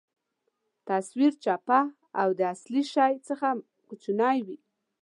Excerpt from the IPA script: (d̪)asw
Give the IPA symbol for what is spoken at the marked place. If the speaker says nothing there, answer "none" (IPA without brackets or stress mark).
t̪